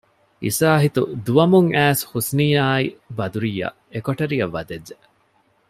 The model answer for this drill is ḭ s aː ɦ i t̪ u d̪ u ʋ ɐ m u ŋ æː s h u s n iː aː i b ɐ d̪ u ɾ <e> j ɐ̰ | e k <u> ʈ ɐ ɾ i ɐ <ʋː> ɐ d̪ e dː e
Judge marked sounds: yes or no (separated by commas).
no, no, yes